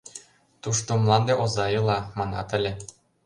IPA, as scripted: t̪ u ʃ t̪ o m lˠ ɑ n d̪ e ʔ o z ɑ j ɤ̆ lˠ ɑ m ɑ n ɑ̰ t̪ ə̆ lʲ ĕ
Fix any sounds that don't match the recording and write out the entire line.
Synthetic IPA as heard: t̪ u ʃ t̪ o m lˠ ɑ n d̪ e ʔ o z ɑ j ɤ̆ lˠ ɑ m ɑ n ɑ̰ t̪ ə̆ lʲ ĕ